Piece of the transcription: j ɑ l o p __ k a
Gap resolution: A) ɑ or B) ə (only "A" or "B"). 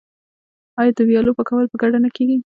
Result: B